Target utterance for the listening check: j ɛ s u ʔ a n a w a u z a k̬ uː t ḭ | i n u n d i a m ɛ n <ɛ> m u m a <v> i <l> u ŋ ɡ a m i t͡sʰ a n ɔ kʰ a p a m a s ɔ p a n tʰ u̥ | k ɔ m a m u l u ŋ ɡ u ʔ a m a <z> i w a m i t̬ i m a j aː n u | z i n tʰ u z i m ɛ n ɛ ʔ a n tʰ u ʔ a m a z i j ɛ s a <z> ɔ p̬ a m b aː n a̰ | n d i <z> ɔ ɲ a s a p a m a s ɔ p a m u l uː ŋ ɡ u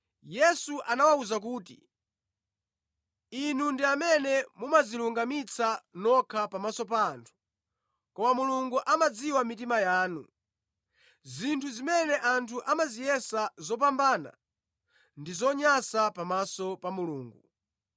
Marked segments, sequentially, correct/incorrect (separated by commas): correct, incorrect, correct, incorrect, correct, correct